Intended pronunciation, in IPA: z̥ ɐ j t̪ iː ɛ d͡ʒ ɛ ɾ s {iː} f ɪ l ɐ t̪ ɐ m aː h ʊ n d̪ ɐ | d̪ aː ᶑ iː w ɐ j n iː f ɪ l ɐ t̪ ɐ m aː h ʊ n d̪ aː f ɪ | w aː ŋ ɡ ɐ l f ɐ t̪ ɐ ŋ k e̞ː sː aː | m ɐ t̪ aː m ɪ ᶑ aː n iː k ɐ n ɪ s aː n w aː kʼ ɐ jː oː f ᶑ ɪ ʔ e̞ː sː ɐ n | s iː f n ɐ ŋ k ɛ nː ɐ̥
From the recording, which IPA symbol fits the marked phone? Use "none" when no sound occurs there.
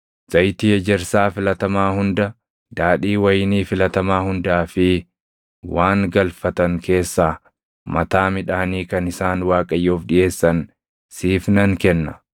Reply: aː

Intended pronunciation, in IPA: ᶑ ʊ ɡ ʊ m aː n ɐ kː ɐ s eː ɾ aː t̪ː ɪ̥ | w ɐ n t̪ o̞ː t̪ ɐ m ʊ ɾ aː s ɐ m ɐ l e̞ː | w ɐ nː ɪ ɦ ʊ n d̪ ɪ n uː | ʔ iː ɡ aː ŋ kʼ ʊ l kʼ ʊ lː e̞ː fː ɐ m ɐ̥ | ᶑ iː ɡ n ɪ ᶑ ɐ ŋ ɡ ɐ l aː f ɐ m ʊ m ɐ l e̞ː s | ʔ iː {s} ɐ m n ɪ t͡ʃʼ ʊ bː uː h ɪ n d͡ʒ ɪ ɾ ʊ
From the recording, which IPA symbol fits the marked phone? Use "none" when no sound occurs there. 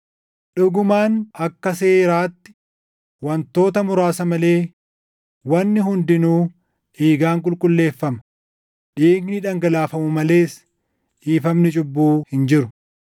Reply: f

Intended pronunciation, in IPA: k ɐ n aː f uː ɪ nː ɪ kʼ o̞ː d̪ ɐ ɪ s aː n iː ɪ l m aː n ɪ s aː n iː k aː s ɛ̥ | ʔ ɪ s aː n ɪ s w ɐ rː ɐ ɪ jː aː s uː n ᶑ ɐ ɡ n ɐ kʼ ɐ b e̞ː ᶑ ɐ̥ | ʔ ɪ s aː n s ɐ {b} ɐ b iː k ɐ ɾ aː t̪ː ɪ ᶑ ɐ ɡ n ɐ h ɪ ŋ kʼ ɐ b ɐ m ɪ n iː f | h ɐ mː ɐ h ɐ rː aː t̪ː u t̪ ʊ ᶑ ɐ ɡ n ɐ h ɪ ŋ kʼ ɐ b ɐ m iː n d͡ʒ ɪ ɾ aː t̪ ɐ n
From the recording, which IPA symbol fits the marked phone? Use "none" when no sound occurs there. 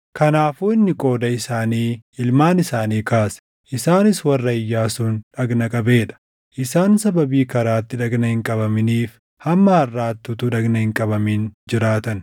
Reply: b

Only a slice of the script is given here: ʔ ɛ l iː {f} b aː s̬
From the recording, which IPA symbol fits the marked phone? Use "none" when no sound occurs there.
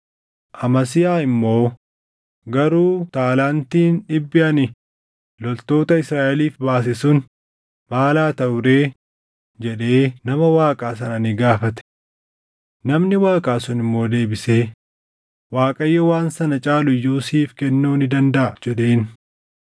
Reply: f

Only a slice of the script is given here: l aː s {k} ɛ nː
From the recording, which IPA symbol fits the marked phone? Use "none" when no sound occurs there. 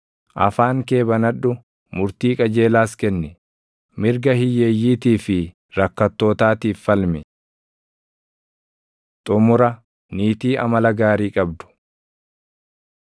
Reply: k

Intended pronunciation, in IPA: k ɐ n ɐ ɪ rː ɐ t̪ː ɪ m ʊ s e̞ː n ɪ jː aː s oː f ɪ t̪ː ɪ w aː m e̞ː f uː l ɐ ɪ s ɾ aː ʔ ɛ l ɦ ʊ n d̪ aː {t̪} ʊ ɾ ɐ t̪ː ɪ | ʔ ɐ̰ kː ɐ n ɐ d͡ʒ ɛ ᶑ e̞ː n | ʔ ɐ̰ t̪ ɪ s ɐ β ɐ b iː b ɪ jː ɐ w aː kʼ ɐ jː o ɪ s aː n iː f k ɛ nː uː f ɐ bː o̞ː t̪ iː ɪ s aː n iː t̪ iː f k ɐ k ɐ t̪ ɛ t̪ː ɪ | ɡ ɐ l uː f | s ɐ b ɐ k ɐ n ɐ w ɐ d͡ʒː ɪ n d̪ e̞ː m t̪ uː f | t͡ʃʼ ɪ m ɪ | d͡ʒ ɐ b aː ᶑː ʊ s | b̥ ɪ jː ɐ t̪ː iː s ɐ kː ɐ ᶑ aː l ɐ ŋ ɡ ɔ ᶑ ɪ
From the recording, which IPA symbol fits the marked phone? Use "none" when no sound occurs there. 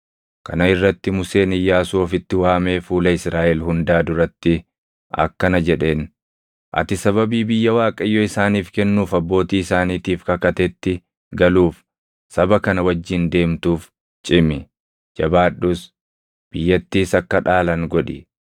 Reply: d̪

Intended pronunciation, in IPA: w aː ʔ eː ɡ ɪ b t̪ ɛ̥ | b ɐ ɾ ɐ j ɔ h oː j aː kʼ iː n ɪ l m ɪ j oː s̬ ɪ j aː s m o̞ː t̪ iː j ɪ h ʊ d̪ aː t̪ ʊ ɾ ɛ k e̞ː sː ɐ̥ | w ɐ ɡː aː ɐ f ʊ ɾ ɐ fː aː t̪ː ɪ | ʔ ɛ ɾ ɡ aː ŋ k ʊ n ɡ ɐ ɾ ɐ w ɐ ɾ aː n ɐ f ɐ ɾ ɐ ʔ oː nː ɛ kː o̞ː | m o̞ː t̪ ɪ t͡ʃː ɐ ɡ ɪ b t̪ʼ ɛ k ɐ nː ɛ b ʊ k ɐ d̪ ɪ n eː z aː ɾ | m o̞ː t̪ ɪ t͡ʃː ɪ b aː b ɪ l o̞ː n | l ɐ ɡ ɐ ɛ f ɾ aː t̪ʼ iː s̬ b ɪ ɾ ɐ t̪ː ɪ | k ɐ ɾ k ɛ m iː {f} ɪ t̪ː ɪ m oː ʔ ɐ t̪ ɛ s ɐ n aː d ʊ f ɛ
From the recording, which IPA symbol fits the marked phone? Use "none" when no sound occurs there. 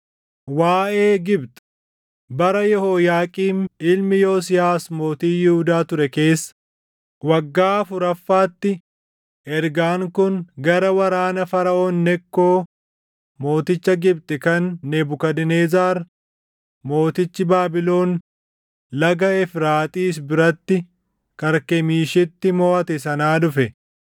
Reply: ʃ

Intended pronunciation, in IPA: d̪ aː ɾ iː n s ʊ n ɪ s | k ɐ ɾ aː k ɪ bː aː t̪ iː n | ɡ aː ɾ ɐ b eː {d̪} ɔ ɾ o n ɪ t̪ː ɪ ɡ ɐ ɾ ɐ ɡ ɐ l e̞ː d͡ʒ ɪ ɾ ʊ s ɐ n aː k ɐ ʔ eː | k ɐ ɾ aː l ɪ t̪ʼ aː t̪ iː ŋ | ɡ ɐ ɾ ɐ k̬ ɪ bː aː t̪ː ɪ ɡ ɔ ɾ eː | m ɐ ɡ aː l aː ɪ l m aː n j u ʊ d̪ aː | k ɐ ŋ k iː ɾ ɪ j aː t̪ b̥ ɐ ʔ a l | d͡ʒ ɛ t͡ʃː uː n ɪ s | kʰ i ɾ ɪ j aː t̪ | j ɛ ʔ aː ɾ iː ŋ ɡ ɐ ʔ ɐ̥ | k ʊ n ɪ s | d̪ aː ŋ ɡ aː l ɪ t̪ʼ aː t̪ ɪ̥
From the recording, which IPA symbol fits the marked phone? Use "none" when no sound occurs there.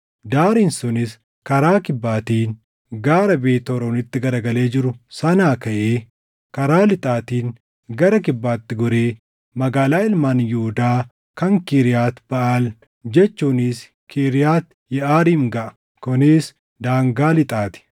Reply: t̪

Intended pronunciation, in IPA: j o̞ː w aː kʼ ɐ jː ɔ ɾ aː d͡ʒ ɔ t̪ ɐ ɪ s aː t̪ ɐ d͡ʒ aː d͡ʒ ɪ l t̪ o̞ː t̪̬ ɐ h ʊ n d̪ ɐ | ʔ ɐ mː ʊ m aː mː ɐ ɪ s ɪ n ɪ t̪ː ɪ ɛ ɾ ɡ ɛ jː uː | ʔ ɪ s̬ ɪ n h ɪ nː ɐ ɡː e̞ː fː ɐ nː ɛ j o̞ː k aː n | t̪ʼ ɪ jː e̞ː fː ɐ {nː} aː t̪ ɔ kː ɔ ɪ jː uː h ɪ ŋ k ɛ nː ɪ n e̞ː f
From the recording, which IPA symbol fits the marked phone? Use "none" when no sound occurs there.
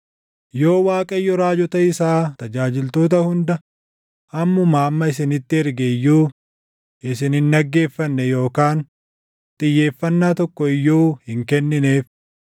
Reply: nː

